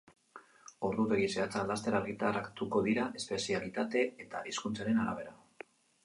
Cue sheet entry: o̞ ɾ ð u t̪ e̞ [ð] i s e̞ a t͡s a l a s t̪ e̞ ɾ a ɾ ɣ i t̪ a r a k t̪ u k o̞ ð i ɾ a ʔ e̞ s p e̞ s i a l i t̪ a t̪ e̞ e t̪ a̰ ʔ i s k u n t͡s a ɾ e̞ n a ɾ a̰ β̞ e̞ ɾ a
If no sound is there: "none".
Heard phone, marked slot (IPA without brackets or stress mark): ɣ